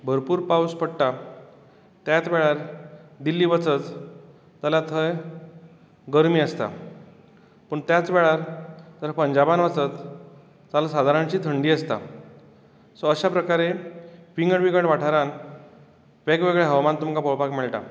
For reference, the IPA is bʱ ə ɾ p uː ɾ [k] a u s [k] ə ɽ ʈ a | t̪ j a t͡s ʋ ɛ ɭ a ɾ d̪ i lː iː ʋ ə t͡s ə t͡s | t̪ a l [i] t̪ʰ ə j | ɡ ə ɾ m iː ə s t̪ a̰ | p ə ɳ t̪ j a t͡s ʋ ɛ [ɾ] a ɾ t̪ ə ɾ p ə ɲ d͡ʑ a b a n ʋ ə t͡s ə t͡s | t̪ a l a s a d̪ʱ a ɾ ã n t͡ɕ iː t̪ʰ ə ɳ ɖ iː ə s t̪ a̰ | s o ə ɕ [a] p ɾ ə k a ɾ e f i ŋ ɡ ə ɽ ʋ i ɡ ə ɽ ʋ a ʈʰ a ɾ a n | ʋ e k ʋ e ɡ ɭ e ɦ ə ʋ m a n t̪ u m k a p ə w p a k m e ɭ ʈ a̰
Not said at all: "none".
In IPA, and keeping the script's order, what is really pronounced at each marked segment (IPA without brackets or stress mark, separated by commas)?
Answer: p, p, a, ɭ, a